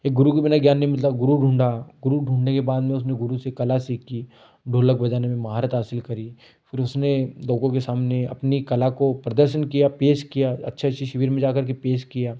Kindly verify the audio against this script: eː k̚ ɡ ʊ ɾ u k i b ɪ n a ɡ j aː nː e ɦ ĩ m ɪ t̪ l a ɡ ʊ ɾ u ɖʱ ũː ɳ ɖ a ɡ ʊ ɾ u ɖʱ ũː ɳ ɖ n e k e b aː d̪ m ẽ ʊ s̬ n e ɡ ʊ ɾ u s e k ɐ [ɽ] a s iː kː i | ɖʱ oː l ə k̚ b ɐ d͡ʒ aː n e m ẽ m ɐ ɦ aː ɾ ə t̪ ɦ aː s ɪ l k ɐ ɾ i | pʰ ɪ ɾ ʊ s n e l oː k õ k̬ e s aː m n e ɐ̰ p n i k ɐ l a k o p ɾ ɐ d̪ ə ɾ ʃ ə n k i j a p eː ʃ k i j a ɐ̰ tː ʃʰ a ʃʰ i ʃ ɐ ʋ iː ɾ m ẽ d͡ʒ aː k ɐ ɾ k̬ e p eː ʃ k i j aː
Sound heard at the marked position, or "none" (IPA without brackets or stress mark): l